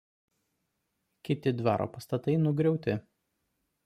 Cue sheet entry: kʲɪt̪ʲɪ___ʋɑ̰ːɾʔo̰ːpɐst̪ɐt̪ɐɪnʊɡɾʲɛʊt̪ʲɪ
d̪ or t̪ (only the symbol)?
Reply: d̪